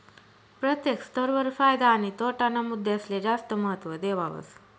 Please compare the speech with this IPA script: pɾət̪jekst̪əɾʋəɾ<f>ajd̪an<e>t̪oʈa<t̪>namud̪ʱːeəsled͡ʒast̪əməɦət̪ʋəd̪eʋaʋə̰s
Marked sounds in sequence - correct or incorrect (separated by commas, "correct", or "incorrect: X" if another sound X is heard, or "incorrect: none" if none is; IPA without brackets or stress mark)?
correct, incorrect: i, incorrect: none